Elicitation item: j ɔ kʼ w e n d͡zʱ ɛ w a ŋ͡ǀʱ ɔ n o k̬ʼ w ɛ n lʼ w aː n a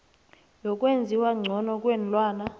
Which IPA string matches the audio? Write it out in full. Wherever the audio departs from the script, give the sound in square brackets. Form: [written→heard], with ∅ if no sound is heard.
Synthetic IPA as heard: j ɔ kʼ w e n d͡zʱ [ɛ→i] w a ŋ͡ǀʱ ɔ n [o→ɔ] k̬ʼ w ɛ n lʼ w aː n a